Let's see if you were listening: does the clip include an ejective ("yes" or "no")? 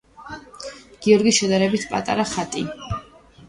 yes